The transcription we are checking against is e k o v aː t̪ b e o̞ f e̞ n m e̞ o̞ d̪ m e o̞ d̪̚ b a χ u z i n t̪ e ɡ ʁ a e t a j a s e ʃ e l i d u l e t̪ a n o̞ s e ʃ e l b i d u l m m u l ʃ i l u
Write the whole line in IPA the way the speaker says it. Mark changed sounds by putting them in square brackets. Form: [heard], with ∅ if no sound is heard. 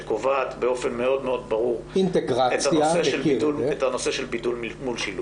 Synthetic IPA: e k o v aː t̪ b e o̞ f e̞ n m e̞ o̞ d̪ m e o̞ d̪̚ b a [ʁ] u [ʁ] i n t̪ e ɡ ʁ a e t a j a s e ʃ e l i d u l e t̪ a n o̞ s e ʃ e l b i d u l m m u l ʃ i l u